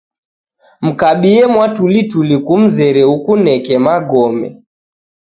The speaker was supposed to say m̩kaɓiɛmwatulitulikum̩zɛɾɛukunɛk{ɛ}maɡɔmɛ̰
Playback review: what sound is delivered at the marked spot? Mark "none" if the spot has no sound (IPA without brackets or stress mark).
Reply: ɛ